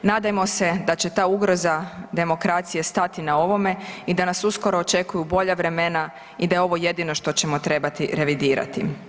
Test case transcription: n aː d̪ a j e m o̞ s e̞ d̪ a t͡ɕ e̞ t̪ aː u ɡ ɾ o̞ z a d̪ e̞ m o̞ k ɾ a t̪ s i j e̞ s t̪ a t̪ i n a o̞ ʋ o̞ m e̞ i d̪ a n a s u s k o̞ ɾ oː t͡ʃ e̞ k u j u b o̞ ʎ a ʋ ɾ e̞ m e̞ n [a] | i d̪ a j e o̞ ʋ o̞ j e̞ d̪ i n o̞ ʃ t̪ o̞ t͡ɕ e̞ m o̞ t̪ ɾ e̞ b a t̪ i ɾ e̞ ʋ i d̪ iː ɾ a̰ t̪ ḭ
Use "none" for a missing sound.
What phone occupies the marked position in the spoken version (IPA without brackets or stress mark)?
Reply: a